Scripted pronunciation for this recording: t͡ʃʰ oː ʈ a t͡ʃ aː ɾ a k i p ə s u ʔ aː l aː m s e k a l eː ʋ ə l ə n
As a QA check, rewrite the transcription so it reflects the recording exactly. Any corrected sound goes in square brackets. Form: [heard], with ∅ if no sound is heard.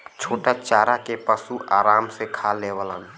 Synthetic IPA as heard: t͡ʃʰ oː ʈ a t͡ʃ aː ɾ a k [e] p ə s u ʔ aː [ɾ] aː m s e [kʰ] a l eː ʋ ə l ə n